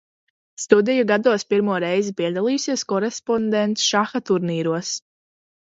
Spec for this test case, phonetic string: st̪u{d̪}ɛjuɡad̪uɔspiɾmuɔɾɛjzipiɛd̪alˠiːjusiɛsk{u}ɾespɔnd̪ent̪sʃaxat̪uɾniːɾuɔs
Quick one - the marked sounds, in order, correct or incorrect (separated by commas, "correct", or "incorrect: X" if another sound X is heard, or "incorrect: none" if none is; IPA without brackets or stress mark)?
correct, incorrect: ɔ